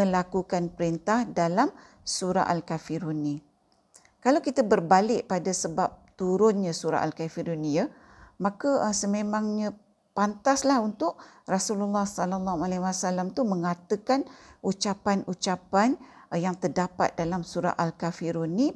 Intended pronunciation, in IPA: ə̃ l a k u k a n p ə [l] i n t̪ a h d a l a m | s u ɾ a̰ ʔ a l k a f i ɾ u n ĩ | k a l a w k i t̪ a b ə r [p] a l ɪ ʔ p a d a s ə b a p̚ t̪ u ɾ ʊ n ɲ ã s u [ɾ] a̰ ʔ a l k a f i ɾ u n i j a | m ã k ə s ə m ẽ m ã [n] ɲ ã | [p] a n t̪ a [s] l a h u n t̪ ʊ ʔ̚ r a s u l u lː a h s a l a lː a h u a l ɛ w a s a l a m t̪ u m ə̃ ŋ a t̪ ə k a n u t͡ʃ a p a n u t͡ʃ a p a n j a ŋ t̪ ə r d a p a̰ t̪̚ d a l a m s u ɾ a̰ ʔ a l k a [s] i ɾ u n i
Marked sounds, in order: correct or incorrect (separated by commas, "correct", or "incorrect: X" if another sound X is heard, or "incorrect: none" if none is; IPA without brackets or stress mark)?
incorrect: ɾ, incorrect: b, correct, incorrect: ŋ, correct, correct, incorrect: f